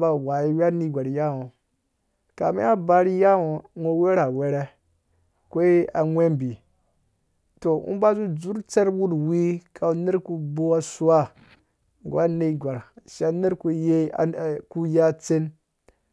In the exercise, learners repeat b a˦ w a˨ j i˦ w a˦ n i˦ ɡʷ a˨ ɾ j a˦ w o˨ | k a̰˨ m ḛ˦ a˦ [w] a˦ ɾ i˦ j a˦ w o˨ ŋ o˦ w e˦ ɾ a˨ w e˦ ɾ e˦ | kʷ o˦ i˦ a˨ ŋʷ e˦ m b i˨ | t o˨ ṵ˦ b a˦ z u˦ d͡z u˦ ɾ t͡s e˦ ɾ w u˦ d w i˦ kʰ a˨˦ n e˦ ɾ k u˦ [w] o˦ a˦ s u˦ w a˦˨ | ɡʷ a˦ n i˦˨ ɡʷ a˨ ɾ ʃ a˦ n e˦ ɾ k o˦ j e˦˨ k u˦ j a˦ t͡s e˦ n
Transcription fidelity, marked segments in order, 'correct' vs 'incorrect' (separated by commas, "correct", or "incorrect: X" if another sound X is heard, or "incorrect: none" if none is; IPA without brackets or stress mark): incorrect: b, incorrect: b